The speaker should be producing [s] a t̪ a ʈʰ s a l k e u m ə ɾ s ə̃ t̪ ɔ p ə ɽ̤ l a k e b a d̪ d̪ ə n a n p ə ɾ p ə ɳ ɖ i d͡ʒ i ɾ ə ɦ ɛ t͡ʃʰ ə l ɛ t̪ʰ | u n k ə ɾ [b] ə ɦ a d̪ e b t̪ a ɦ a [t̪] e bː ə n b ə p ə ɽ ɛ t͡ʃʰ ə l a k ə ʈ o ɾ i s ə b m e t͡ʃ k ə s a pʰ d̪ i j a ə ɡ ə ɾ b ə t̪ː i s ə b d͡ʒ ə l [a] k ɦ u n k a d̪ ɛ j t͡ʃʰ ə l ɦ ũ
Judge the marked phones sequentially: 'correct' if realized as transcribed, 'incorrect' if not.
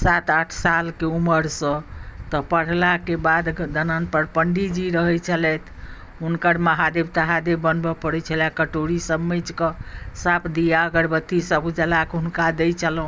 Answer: correct, incorrect: m, incorrect: d̪, correct

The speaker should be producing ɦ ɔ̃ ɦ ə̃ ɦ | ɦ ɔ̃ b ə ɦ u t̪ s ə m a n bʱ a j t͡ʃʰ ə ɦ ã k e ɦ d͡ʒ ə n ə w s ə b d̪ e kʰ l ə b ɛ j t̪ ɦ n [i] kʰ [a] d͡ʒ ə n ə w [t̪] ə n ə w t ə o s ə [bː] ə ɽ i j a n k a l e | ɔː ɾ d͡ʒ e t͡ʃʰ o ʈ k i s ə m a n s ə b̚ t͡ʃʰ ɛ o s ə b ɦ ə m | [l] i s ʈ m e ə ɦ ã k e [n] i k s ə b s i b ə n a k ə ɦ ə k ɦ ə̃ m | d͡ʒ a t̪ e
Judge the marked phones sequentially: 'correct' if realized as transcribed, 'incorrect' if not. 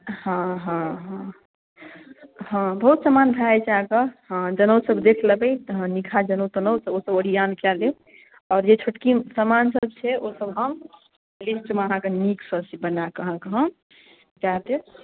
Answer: correct, correct, correct, incorrect: b, correct, correct

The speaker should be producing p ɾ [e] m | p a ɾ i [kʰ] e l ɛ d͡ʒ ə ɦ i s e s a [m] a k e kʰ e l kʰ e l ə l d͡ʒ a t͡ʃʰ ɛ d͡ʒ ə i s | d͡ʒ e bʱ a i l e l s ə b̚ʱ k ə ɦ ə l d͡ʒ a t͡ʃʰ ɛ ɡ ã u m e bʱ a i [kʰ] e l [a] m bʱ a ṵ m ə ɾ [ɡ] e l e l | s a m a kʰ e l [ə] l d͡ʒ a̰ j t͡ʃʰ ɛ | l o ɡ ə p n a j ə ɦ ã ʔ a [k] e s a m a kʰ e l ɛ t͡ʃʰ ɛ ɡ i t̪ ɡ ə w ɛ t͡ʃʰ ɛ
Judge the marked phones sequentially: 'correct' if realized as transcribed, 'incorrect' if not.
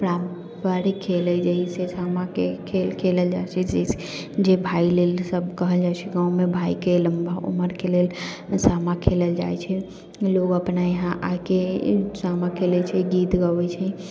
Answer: incorrect: a, correct, correct, incorrect: k, incorrect: ə, incorrect: k, correct, correct

